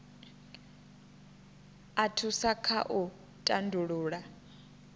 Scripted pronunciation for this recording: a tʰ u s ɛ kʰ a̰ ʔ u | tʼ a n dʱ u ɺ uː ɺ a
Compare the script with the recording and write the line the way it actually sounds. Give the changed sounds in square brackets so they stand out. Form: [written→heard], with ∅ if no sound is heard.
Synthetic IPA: a tʰ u s [ɛ→a] kʰ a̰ ʔ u | tʼ a n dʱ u ɺ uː ɺ a